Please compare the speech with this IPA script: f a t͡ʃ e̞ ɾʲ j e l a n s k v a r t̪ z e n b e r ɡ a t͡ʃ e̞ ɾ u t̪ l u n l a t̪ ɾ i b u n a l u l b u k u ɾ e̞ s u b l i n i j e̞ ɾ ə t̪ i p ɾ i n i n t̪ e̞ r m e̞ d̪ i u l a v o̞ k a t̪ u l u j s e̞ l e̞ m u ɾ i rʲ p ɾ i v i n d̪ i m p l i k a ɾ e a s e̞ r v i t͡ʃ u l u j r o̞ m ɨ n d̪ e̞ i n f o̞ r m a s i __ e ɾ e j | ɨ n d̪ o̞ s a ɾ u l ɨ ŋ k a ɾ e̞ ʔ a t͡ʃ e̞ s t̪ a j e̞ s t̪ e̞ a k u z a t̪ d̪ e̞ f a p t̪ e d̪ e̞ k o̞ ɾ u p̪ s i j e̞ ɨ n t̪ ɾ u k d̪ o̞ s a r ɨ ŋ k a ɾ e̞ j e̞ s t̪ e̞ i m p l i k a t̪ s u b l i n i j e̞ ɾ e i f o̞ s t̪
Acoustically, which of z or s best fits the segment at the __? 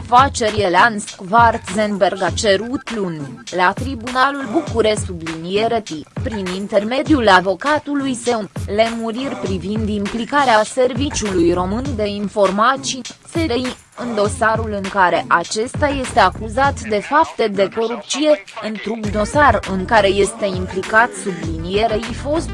s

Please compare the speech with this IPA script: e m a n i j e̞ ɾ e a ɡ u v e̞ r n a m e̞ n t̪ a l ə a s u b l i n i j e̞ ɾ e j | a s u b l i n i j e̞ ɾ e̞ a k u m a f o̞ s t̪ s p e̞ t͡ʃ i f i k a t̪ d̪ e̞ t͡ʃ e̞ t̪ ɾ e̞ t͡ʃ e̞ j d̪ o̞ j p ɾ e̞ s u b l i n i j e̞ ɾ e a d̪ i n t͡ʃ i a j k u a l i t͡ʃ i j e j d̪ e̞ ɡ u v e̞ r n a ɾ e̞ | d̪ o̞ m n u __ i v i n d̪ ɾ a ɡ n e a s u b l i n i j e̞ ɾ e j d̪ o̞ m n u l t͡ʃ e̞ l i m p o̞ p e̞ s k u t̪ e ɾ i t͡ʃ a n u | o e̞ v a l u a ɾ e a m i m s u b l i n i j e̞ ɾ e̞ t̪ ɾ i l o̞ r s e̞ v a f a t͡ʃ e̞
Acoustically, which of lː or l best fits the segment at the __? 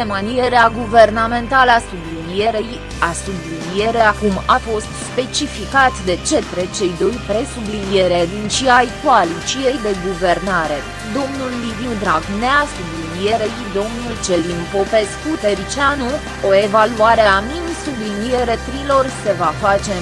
lː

